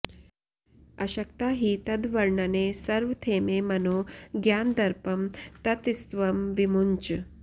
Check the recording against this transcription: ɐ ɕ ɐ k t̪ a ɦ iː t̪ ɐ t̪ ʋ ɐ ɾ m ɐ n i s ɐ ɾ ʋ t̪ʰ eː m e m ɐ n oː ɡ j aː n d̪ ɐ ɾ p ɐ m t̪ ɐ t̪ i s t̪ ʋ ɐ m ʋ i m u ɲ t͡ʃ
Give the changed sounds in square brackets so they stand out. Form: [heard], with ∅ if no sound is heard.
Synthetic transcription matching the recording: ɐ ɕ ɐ k t̪ a ɦ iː t̪ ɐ [d̪] ʋ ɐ ɾ [ɳ] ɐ n [e] s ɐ ɾ ʋ t̪ʰ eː m e m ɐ n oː ɡ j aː n d̪ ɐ ɾ p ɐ m t̪ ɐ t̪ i s t̪ ʋ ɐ m ʋ i m u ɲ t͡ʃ